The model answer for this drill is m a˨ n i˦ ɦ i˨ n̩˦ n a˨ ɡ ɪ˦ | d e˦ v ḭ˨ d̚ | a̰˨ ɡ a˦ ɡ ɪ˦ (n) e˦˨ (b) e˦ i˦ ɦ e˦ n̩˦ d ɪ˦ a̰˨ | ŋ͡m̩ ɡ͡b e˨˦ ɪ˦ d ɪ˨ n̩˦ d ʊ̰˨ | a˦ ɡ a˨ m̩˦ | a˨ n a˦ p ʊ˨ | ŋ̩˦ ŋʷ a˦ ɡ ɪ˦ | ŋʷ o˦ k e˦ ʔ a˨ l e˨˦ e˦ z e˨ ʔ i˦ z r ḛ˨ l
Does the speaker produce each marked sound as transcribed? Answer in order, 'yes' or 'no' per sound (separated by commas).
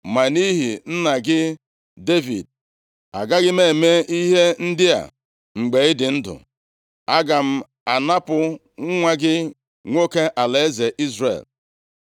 no, no